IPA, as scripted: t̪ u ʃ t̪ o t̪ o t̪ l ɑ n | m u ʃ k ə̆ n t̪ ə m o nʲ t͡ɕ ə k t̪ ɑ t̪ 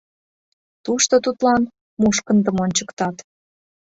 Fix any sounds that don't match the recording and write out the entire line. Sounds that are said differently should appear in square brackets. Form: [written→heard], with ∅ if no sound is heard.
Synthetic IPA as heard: t̪ u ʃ t̪ o t̪ [o→u] t̪ l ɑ n | m u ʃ k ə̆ n [t̪→d̪] ə m o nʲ t͡ɕ ə k t̪ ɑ t̪